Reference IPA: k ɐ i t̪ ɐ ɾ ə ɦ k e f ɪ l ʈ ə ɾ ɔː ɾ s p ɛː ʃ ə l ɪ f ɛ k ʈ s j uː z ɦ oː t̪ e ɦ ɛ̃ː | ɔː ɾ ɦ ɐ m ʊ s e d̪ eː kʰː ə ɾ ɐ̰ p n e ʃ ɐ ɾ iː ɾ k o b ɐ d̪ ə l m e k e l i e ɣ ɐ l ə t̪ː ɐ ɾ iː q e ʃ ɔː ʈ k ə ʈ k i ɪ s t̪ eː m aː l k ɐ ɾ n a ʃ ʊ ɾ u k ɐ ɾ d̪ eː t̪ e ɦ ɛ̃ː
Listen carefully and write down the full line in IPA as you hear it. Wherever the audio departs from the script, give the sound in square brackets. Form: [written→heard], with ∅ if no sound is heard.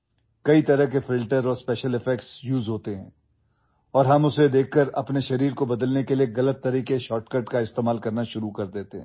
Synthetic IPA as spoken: k ɐ i t̪ ɐ ɾ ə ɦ k e f ɪ l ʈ ə ɾ ɔː ɾ s p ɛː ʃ ə l ɪ f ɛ k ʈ s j uː z ɦ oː t̪ e ɦ ɛ̃ː | ɔː ɾ ɦ ɐ m ʊ s e d̪ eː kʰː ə ɾ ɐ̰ p n e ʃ ɐ ɾ iː ɾ k o b ɐ d̪ ə l [m→n] e k e l i e ɣ ɐ l ə t̪ː ɐ ɾ iː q e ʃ ɔː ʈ k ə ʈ k [i→a] ɪ s t̪ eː m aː l k ɐ ɾ n a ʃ ʊ ɾ u k ɐ ɾ d̪ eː t̪ e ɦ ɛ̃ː